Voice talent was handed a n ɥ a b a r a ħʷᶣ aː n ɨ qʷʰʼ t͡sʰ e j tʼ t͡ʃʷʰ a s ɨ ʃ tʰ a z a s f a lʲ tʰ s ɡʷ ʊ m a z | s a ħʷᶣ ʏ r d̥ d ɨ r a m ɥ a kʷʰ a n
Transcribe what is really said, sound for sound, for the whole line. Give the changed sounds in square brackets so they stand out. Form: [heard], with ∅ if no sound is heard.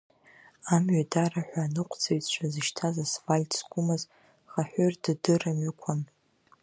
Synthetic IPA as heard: a [m] ɥ a [d] a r a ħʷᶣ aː n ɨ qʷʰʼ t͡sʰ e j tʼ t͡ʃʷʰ a [z] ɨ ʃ tʰ a z a s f a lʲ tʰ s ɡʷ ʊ m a z | [χ] a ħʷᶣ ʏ r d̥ d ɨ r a m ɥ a kʷʰ a n